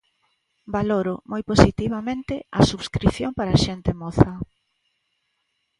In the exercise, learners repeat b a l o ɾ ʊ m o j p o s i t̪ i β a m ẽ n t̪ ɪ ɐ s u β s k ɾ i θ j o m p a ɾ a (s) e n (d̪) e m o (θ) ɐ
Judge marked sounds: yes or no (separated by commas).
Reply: no, no, yes